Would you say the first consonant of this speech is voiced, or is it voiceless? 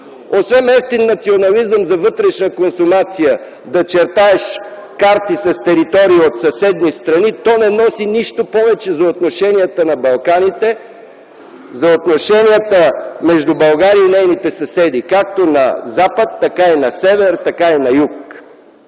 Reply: voiceless